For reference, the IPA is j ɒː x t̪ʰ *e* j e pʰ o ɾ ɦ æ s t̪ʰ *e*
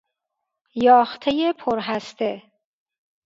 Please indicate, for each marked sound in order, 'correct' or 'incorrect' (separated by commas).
correct, correct